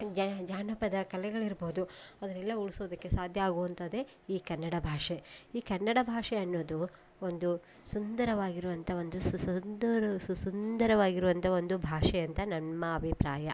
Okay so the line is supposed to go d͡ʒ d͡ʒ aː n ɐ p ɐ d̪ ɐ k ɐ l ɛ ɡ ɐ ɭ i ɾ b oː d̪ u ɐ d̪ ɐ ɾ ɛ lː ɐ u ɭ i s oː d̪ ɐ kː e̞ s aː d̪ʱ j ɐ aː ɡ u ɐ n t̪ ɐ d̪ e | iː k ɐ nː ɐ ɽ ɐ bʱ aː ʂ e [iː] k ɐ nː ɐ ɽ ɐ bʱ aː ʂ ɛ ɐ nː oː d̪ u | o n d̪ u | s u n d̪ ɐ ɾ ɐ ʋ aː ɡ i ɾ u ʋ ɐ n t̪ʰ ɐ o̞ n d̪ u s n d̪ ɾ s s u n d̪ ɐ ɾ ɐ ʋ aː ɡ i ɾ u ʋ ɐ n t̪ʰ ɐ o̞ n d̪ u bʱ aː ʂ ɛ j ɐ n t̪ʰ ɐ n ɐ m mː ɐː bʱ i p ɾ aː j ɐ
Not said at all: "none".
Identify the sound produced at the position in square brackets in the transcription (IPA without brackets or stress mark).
iː